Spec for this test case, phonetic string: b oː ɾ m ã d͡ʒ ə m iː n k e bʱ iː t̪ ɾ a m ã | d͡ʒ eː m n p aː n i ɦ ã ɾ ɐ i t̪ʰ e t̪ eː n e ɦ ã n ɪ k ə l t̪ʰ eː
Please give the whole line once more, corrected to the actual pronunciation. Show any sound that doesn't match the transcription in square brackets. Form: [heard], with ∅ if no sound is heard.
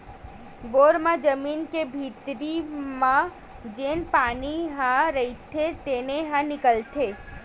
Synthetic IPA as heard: b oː ɾ m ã d͡ʒ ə m iː n k e bʱ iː t̪ ɾ [i] m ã | d͡ʒ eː [∅] n p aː n i ɦ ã ɾ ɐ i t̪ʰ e t̪ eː n e ɦ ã n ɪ k ə l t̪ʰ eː